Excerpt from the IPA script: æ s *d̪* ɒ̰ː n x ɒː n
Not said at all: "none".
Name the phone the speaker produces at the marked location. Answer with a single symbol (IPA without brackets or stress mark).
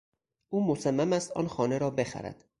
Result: t̪